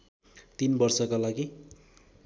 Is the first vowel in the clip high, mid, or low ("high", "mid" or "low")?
high